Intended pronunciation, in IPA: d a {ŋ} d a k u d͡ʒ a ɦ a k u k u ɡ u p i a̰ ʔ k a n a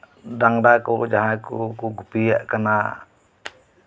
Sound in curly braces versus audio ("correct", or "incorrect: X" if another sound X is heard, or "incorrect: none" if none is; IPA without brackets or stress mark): correct